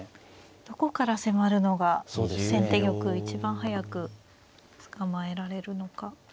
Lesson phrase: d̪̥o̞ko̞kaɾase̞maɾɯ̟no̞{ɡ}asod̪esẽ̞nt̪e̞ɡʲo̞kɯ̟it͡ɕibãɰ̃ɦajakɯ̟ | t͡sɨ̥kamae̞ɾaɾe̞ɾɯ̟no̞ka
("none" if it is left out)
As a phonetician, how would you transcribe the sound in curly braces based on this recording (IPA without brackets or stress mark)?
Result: ɡ